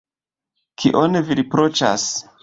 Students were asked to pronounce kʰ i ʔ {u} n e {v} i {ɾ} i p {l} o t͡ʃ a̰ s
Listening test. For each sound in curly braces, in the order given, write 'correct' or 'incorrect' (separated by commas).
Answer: incorrect, correct, correct, incorrect